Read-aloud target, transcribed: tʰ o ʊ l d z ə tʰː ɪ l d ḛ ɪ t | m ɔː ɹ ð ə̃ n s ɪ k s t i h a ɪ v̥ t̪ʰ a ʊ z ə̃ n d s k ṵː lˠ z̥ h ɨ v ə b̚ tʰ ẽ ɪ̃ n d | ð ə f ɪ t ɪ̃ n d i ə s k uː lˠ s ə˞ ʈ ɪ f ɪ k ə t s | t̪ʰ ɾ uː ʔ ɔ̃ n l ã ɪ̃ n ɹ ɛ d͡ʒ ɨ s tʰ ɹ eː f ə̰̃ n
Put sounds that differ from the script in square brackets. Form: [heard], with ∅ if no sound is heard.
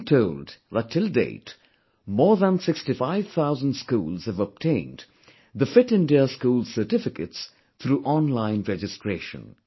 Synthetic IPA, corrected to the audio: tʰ o ʊ l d [ð] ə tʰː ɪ l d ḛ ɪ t | m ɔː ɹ ð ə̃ n s ɪ k s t i [f] a ɪ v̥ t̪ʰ a ʊ z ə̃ n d s k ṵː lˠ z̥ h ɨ v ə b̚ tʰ ẽ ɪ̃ n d | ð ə f ɪ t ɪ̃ n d i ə s k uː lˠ s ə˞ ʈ ɪ f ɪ k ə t s | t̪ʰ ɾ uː ʔ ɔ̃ n l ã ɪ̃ n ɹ ɛ d͡ʒ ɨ s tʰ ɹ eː [ʃ] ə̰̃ n